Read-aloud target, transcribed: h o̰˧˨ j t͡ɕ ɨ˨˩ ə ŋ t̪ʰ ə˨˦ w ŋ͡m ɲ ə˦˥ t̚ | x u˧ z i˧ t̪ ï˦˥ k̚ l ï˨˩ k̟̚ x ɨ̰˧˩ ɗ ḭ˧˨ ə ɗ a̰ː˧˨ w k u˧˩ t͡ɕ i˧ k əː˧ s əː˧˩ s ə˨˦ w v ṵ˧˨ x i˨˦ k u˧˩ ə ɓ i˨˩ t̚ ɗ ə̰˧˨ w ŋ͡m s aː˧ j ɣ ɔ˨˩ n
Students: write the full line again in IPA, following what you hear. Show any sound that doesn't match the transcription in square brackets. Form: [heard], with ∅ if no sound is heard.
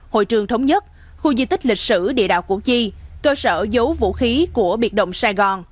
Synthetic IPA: h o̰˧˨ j t͡ɕ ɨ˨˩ ə ŋ t̪ʰ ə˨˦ w ŋ͡m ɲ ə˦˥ t̚ | x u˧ z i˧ t̪ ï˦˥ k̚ l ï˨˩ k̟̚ [s] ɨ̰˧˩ ɗ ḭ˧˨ ə ɗ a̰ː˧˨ w k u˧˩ t͡ɕ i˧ k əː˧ s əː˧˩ [z] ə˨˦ w v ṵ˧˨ x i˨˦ k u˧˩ ə ɓ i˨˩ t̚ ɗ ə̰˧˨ w ŋ͡m s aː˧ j ɣ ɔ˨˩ n